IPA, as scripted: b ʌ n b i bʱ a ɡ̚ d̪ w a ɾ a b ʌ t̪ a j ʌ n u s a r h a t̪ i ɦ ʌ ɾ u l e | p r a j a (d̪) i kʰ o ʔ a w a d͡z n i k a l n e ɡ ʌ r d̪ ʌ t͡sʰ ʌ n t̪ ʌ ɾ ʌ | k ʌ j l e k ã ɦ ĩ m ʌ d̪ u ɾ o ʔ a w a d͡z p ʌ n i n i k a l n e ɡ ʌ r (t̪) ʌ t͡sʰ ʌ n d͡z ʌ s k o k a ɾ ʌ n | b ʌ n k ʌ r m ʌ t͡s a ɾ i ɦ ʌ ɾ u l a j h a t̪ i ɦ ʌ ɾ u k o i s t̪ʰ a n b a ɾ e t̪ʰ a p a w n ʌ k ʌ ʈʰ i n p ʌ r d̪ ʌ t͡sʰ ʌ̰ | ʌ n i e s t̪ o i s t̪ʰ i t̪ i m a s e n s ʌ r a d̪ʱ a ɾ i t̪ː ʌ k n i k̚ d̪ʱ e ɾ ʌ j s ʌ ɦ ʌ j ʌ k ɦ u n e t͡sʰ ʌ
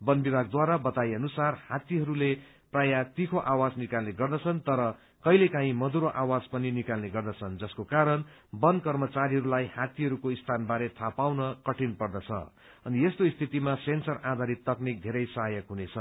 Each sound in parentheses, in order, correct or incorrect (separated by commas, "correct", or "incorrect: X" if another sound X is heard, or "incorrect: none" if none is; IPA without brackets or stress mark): incorrect: t̪, incorrect: d̪